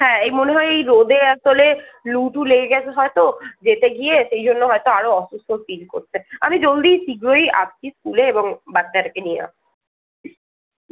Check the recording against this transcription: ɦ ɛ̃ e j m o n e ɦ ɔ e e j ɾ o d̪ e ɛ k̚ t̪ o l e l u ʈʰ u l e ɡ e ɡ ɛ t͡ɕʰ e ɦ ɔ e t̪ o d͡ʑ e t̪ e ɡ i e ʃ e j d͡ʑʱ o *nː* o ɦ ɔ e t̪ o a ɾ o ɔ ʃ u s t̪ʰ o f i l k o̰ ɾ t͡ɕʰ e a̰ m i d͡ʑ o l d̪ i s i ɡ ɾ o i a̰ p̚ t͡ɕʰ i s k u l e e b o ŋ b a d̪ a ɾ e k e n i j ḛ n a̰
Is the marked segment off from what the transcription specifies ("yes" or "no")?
no